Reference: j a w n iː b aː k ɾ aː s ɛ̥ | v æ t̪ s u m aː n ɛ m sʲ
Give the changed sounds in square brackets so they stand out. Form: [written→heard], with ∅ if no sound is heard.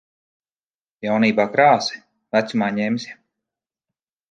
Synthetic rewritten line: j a w n iː b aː k ɾ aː s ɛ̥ | v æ t̪ s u m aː [n→ɲ] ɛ m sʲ